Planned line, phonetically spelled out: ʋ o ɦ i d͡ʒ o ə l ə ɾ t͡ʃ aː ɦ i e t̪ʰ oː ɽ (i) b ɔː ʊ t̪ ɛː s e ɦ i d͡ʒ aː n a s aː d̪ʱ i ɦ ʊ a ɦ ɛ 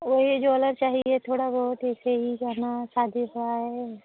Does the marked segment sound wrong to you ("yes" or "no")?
yes